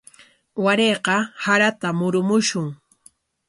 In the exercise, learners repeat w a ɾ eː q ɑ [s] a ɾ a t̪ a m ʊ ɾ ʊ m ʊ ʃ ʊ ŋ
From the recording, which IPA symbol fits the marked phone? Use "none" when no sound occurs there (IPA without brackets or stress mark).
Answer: h